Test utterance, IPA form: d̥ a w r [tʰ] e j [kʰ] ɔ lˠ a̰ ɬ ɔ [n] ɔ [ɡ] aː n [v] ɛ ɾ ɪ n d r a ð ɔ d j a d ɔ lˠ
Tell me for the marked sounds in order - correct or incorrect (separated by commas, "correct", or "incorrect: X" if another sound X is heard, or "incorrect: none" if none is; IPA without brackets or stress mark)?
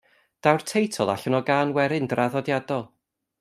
correct, incorrect: tʰ, correct, correct, incorrect: w